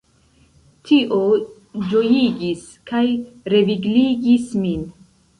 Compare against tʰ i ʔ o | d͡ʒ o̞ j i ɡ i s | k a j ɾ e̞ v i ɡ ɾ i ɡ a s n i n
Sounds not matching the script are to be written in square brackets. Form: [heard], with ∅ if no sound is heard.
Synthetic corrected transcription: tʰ i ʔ o | d͡ʒ o̞ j i ɡ i s | k a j ɾ e̞ v i ɡ [l] i ɡ [i] s [m] i n